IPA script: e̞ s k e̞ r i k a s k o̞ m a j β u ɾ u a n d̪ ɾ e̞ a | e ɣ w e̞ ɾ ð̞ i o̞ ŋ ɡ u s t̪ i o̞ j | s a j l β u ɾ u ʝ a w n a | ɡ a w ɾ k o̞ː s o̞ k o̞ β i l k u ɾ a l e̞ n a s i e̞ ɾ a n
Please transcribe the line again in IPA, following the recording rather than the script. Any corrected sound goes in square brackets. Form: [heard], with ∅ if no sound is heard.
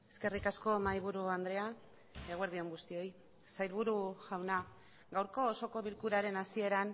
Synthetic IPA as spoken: e̞ s k e̞ r i k a s k o̞ m a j β u ɾ u a n d̪ ɾ e̞ a | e ɣ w e̞ ɾ ð̞ i o̞ ŋ ɡ u s t̪ i o̞ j | s a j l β u ɾ u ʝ a w n a | ɡ a w ɾ k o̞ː s o̞ k o̞ β i l k u ɾ a [ɾ] e̞ n a s i e̞ ɾ a n